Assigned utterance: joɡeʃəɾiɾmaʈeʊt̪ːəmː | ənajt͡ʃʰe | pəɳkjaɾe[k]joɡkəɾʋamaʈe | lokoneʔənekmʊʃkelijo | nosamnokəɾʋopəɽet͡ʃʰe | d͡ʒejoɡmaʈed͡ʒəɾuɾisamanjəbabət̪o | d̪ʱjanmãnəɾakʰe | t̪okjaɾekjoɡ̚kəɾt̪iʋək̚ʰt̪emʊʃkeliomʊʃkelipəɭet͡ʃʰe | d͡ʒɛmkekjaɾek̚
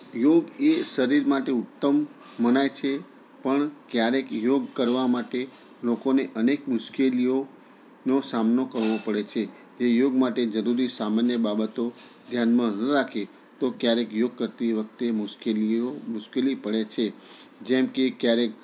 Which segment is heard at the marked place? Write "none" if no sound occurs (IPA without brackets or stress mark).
k